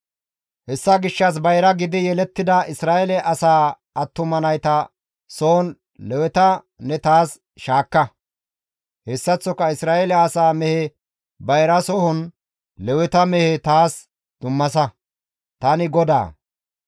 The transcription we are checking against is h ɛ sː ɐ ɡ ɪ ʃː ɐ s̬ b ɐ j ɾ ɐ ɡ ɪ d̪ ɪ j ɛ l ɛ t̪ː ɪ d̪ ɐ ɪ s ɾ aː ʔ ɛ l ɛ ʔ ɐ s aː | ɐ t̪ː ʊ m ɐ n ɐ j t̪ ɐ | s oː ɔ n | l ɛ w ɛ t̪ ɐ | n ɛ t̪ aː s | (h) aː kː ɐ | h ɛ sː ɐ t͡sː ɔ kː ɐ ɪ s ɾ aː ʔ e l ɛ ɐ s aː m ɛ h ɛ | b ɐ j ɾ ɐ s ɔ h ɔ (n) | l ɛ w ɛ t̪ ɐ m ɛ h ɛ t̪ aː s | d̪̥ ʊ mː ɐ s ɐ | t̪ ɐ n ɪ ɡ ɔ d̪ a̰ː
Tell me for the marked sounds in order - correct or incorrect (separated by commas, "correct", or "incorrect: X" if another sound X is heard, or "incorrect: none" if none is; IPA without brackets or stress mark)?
incorrect: ʃ, correct